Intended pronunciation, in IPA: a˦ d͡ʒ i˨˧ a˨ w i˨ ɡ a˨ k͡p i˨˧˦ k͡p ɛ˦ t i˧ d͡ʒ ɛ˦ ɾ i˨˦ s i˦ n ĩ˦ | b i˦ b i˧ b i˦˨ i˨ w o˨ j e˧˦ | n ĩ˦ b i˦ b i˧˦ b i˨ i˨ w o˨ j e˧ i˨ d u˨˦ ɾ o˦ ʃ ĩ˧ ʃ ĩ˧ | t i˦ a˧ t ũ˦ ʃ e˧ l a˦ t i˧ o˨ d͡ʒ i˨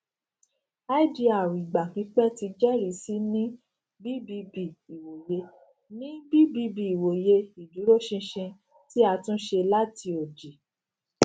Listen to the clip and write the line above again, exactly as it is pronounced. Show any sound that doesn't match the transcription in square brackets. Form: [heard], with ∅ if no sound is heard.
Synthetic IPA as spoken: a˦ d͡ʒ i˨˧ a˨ w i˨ [ɡ͡b] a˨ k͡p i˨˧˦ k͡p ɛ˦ t i˧ d͡ʒ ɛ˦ ɾ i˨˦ s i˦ n ĩ˦ | b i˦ b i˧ b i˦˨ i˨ w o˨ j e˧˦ | n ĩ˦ b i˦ b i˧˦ b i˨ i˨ w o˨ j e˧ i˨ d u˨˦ ɾ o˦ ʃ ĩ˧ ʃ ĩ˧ | t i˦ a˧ t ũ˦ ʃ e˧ l a˦ t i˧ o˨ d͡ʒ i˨